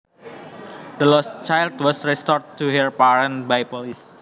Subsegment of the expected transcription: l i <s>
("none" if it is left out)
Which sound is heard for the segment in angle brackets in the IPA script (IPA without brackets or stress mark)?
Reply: s